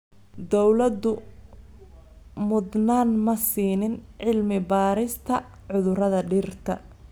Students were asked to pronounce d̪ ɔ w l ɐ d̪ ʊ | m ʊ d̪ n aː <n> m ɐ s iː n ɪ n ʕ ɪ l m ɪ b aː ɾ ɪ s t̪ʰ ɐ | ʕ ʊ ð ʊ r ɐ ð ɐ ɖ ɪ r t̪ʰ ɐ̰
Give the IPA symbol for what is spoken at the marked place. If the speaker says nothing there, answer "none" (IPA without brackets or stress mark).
n